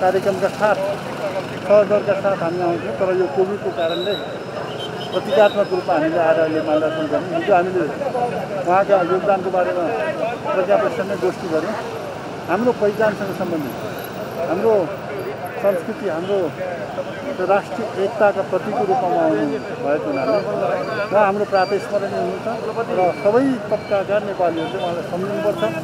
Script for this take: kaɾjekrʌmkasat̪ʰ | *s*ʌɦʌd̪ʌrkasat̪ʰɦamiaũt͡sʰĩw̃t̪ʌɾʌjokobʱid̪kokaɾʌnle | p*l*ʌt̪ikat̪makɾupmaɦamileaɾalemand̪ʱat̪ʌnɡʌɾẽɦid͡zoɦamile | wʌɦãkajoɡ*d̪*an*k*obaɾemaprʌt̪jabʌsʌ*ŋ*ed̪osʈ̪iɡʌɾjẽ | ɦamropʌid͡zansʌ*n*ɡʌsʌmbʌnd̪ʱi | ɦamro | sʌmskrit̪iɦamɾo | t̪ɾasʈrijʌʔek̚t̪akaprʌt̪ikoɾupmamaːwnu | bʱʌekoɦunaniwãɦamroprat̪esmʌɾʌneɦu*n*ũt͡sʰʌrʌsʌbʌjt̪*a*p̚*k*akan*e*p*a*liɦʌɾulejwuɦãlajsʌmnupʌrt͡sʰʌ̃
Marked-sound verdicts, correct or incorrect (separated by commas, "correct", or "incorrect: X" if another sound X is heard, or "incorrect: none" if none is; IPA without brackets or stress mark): correct, incorrect: r, correct, correct, incorrect: n, incorrect: ŋ, correct, incorrect: ʌ, correct, correct, correct